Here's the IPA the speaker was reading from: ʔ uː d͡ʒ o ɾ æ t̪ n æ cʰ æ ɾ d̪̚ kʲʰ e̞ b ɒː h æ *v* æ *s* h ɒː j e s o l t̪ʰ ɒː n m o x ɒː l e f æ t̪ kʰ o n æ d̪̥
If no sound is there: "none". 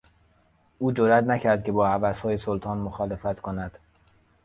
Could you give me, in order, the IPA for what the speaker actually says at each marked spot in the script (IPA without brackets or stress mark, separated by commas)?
v, s